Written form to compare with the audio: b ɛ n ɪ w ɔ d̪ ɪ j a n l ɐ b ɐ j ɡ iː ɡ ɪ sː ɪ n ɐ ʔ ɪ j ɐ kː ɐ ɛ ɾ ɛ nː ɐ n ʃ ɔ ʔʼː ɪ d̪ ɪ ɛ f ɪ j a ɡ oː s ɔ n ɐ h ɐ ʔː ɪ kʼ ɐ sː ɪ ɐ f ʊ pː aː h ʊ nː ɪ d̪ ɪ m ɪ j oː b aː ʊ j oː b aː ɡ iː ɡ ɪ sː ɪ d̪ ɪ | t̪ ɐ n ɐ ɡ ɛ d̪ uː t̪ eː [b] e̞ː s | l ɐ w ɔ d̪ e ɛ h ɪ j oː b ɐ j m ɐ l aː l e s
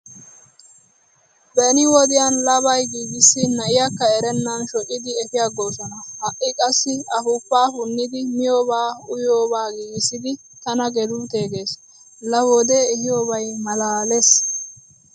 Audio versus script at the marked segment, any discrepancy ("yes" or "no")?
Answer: yes